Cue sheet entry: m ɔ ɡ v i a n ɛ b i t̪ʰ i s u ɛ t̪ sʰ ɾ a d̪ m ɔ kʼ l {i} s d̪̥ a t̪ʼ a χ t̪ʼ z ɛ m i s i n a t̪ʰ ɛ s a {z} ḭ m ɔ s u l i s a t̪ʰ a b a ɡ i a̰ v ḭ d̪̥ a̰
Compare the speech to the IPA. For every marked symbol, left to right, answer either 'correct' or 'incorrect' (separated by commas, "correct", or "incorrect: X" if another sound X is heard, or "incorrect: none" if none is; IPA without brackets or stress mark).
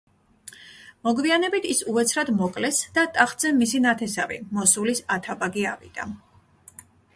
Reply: incorrect: ɛ, incorrect: v